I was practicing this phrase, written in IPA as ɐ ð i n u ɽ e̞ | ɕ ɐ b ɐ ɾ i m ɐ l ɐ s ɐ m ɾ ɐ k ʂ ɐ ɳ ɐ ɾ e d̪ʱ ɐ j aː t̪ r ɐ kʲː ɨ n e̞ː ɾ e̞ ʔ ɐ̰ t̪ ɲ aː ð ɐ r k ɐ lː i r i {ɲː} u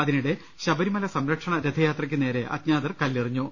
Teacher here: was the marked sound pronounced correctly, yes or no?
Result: yes